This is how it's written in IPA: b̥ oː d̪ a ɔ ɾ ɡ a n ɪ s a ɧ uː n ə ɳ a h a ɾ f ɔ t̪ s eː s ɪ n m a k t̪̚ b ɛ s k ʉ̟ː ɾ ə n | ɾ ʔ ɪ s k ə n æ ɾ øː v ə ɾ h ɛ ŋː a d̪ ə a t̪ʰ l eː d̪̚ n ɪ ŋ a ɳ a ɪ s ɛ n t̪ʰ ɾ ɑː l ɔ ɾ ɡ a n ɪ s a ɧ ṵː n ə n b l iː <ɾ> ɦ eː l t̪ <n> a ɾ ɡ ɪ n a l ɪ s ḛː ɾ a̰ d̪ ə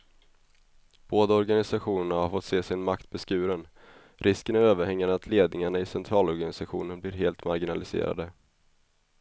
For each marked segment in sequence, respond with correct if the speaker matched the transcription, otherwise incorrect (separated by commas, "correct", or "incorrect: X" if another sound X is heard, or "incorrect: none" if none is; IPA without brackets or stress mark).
correct, incorrect: m